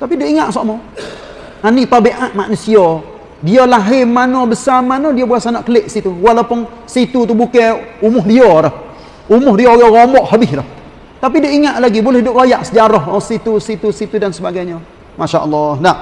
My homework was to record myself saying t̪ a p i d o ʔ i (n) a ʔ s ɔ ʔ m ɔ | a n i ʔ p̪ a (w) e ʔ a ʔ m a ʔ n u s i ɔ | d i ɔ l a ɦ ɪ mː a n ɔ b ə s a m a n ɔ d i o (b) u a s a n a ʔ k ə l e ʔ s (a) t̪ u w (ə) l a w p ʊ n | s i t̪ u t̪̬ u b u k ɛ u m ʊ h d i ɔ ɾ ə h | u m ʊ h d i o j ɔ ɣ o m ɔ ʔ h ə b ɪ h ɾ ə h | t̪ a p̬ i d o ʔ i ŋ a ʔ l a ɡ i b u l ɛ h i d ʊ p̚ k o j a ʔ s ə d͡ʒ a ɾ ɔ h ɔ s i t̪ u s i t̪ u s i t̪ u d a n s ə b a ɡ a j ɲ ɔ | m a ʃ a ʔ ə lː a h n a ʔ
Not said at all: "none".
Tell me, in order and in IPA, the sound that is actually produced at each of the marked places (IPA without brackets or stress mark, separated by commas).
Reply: ŋ, b, b, i, a